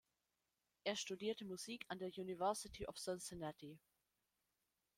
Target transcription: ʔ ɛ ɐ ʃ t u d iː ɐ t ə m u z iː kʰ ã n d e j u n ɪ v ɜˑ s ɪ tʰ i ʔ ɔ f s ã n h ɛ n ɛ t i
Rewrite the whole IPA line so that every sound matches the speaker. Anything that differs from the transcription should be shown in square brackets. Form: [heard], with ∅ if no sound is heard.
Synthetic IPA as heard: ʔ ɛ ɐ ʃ t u d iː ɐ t ə m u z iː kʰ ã n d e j u n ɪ v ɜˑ s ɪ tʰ i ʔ ɔ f s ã n [s] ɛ n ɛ t i